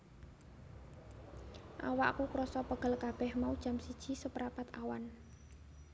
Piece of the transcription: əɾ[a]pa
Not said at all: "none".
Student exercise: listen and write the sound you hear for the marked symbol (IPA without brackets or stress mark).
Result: a